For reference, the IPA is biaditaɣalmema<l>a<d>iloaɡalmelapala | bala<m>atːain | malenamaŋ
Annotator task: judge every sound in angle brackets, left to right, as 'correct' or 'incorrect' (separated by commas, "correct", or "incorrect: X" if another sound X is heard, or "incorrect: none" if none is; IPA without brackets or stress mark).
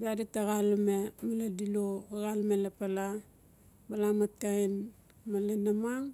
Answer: correct, correct, correct